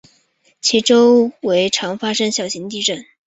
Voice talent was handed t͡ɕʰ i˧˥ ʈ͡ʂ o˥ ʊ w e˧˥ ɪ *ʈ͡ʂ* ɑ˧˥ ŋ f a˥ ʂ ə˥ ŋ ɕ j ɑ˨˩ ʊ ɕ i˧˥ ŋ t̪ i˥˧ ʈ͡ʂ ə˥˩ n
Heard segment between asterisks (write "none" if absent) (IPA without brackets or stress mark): ʈ͡ʂʰ